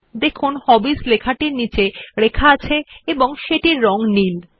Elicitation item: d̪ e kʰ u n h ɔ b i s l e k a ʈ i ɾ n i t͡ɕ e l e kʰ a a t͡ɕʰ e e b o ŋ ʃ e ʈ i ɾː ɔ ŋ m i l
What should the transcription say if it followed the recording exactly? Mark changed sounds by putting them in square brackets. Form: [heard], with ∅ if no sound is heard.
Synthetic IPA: d̪ e kʰ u n h ɔ b i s l e [kʰ] a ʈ i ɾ n i t͡ɕ e [ɾ] e kʰ a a t͡ɕʰ e e b o ŋ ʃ e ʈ i ɾː ɔ ŋ [n] i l

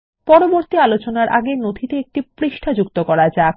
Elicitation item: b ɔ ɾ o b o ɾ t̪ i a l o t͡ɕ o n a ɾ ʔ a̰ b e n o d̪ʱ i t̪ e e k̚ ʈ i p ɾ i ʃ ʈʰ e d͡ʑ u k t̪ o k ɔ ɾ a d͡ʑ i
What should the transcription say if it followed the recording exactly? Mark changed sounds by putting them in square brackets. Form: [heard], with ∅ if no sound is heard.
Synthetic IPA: [p] ɔ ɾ o b o ɾ t̪ i a l o t͡ɕ o n a ɾ ʔ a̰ [ɡ] e n o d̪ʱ i t̪ e e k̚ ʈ i p ɾ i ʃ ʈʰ [a] d͡ʑ u k t̪ o k ɔ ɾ a d͡ʑ [a]

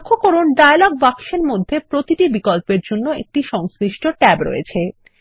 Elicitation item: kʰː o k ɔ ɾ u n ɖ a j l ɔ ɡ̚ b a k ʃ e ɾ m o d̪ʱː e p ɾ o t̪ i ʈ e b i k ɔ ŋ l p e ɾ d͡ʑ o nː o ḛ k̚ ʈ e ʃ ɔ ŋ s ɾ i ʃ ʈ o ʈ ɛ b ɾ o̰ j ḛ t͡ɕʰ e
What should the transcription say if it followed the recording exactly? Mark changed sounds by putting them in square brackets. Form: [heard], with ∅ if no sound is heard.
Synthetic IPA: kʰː o k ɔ ɾ u n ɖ a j l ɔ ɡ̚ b a k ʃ e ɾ m o d̪ʱː e p ɾ o t̪ i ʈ [i] b i k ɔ [∅] l p e ɾ d͡ʑ o nː o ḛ k̚ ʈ [i] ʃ ɔ ŋ s ɾ i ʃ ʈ o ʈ ɛ b ɾ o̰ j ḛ t͡ɕʰ e

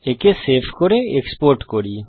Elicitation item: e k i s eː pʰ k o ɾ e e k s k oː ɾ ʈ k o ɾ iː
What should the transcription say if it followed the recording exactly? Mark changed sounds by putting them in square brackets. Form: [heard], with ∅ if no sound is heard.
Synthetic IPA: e k [e] s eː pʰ k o ɾ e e k s [p] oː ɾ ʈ k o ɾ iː

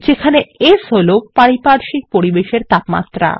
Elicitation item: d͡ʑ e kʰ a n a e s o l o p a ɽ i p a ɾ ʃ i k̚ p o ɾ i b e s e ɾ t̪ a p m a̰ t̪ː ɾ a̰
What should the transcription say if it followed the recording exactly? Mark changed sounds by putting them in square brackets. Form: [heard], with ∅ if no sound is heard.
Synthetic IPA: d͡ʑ e kʰ a n [e] e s o l o p a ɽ i p a ɾ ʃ i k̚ p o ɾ i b e [ʃ] e ɾ t̪ a p m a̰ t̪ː ɾ a̰

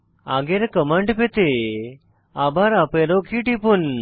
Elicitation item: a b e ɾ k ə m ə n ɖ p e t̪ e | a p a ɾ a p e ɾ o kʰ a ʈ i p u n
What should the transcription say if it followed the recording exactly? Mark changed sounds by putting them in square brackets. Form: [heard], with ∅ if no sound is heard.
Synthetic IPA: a [ɡ] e ɾ k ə m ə [ɳ] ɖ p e t̪ e | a [b] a ɾ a p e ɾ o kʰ [i] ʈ i p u n

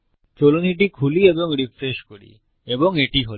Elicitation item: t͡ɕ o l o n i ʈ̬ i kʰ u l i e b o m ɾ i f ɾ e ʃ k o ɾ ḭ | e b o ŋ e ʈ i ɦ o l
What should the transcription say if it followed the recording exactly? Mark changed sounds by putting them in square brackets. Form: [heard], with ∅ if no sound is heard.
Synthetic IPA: t͡ɕ o l o n i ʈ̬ i kʰ u l i e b o [ŋ] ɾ i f ɾ e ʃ k o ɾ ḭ | e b o ŋ e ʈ i ɦ o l

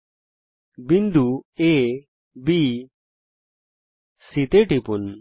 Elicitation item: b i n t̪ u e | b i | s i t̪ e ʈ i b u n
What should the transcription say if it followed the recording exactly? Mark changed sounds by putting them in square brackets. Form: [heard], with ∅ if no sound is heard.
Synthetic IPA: b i n [d̪] u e | b i | s i t̪ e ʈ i [p] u n

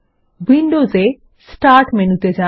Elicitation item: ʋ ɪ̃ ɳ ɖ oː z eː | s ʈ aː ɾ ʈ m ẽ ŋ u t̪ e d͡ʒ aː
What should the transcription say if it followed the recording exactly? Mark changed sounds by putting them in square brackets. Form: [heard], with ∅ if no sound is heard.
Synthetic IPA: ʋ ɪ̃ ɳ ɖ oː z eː | s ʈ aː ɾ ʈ m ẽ [n] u t̪ e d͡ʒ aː

